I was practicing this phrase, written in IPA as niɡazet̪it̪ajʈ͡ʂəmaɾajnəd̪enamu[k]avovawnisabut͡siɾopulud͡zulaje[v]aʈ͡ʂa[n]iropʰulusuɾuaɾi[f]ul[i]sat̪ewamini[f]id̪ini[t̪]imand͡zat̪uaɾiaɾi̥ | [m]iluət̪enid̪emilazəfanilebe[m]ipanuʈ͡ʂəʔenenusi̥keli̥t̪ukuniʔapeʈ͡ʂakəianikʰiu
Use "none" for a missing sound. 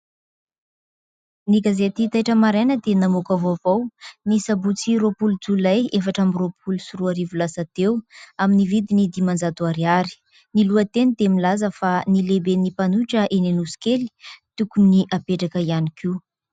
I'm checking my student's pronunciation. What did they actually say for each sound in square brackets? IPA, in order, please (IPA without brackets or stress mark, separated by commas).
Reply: k, f, m, v, a, v, d̪, n, n